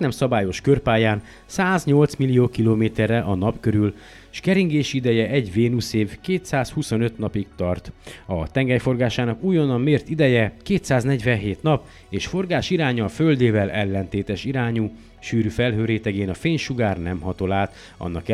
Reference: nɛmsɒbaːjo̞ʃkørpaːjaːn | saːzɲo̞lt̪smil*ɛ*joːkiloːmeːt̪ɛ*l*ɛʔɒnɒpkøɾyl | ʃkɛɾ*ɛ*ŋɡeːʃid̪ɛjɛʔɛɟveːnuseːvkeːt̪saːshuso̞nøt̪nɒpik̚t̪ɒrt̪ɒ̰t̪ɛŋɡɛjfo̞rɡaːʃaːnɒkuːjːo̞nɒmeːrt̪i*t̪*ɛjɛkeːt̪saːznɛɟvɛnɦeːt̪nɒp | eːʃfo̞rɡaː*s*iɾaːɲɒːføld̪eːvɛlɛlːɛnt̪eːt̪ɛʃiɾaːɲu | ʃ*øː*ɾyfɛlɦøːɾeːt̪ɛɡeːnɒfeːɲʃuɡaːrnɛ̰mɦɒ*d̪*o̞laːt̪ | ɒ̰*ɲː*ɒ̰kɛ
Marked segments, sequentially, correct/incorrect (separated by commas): incorrect, incorrect, incorrect, incorrect, incorrect, incorrect, incorrect, incorrect